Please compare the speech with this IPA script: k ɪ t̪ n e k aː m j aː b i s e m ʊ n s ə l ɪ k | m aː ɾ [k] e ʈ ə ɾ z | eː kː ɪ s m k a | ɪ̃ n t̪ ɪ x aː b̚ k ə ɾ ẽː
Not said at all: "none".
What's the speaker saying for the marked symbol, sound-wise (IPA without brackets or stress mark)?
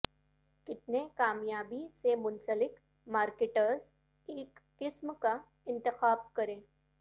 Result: k